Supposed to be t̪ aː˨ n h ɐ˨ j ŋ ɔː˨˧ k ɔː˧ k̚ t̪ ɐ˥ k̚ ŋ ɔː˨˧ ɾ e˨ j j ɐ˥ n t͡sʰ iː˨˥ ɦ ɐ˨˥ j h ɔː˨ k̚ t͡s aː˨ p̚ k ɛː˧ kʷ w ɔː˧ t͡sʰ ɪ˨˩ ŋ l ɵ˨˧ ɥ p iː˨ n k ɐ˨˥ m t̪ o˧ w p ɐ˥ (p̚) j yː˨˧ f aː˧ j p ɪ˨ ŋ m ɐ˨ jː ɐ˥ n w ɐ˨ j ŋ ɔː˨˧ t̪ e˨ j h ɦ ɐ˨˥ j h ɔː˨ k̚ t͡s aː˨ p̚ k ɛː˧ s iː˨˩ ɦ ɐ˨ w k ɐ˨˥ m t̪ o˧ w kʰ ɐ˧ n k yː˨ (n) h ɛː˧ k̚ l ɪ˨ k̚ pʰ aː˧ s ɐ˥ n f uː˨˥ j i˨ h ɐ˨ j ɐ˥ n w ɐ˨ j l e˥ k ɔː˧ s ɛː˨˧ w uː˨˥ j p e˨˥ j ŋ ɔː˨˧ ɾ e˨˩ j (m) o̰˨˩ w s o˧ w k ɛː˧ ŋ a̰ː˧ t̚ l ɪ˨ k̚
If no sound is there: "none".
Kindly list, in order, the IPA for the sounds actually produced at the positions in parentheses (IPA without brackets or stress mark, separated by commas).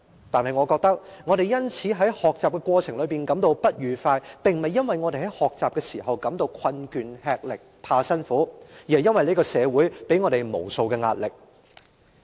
t̚, n, m